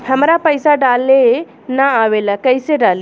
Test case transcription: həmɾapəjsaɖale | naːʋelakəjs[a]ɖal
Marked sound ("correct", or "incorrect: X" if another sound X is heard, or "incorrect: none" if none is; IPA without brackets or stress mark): incorrect: e